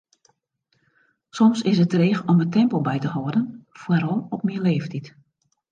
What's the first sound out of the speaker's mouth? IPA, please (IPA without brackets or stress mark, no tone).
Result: s